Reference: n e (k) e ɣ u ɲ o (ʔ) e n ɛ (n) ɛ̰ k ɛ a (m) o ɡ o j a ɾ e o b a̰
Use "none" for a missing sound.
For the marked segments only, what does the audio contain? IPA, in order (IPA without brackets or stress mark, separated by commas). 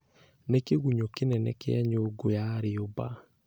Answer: k, k, n, ɲ